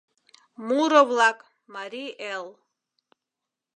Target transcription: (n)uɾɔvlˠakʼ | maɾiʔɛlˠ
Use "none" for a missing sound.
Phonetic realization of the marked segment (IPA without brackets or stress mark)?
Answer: m